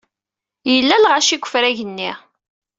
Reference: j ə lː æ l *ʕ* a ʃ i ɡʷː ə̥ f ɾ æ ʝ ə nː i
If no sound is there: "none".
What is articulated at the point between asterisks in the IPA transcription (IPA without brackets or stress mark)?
ʁ